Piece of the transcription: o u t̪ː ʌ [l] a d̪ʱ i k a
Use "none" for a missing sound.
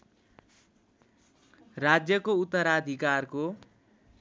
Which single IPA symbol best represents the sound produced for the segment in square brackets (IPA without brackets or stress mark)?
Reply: ɾ